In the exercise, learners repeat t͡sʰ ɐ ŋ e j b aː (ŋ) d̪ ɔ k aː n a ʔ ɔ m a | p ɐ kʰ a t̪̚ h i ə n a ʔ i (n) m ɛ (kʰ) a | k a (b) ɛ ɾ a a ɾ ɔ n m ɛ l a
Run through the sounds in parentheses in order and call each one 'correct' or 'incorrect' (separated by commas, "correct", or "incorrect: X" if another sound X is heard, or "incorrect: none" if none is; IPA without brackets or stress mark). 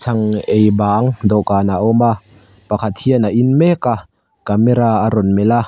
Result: correct, correct, incorrect: k, incorrect: m